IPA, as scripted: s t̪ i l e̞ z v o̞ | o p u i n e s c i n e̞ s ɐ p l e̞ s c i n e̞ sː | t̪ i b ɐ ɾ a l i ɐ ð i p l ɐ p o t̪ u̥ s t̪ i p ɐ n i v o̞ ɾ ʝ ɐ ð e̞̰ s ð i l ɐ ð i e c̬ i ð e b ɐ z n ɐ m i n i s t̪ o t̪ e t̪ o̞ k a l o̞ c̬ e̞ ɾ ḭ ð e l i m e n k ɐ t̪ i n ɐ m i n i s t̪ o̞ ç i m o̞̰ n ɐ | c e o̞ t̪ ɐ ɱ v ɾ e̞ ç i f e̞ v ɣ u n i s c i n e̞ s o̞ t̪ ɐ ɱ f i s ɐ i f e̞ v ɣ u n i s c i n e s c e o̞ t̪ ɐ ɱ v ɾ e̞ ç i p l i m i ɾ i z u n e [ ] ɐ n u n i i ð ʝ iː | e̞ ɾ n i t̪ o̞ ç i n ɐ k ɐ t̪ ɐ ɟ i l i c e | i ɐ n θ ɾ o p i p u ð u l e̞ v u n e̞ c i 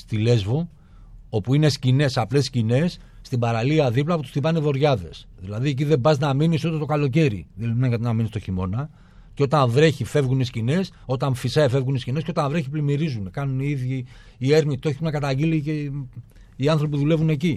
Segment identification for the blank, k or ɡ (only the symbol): k